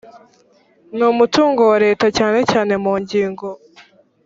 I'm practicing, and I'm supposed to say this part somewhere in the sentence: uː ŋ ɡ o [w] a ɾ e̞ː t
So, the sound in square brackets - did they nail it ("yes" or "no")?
yes